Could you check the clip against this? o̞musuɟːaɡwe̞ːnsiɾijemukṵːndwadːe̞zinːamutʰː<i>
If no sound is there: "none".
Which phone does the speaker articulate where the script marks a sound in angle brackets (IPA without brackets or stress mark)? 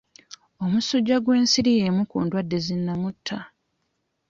a